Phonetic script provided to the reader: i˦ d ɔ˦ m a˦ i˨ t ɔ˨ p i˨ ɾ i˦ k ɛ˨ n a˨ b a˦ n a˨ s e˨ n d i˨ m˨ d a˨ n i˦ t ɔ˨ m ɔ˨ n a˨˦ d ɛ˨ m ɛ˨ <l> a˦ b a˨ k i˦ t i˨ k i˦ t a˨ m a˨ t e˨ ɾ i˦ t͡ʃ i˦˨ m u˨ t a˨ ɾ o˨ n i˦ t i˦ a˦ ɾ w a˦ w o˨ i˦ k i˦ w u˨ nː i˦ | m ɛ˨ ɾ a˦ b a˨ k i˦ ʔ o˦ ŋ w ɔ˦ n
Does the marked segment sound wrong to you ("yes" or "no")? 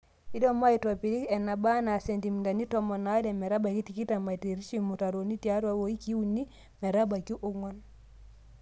yes